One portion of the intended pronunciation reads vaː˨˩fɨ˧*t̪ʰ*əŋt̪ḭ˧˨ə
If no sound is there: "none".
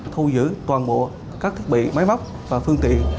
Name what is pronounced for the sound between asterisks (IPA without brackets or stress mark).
none